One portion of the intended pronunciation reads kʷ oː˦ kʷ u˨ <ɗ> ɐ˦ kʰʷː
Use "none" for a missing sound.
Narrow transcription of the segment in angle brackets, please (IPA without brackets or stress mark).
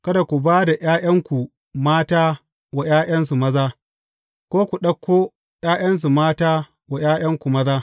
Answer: ɗ